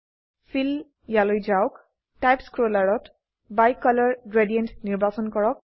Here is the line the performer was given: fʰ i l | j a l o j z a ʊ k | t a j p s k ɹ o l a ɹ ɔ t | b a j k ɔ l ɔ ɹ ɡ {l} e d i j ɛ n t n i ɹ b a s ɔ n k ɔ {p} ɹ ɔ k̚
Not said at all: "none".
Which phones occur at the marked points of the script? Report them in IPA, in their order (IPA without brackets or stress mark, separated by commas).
ɹ, none